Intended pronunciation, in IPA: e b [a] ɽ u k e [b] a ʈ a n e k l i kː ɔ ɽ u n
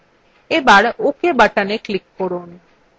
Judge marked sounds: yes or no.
yes, yes

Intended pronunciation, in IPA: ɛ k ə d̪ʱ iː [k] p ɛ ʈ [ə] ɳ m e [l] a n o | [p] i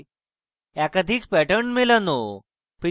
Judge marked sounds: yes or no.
yes, yes, yes, yes

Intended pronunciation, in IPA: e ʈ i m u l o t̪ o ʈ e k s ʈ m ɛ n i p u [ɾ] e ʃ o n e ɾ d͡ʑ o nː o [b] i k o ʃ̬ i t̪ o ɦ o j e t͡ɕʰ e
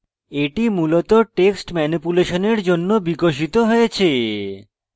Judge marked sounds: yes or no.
no, yes

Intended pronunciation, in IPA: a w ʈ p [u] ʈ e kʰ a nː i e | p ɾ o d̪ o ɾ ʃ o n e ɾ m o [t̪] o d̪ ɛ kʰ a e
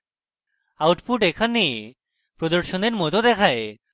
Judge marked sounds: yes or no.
yes, yes

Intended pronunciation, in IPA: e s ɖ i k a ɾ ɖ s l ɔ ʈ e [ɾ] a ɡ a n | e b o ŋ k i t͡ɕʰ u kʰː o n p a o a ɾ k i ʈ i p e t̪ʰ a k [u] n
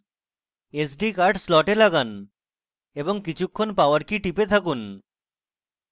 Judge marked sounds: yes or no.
no, yes

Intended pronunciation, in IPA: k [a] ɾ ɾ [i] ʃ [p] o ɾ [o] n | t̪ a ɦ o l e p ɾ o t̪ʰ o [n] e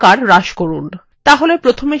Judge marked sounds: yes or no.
yes, no, no, no, no

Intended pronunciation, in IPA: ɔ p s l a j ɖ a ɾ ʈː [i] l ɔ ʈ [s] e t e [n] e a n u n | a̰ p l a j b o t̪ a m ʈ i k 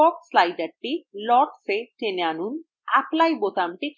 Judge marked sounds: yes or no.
yes, yes, yes

